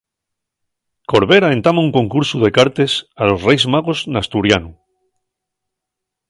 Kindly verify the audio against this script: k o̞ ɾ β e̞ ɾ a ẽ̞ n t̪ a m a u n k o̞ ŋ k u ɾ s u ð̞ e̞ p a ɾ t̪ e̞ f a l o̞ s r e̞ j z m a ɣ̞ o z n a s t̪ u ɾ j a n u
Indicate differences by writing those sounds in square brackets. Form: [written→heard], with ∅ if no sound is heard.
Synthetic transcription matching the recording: k o̞ ɾ β e̞ ɾ a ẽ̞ n t̪ a m a u [n→ŋ] k o̞ ŋ k u ɾ s u ð̞ e̞ [p→k] a ɾ t̪ e̞ [f→s] a l o̞ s r e̞ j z m a ɣ̞ o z n a s t̪ u ɾ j a n u